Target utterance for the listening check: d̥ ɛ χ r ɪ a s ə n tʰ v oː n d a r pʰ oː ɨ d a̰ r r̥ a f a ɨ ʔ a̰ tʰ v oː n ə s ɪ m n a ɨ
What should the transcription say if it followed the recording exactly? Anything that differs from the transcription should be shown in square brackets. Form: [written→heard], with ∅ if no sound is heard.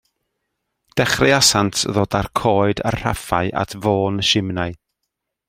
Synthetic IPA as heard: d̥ ɛ χ r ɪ a s [ə→a] n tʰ [v→ð] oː [n→∅] d a r [pʰ→kʰ] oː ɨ d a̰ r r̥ a f a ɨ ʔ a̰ tʰ v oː n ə [s→ʃ] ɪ m n a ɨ